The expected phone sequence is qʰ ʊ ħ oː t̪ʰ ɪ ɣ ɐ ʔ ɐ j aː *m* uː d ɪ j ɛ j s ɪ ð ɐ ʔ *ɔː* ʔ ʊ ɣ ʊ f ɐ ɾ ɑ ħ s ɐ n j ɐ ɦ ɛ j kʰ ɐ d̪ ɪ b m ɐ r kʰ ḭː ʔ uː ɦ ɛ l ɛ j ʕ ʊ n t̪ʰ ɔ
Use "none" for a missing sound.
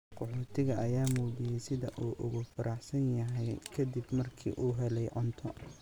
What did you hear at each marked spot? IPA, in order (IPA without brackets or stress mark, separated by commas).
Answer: m, uː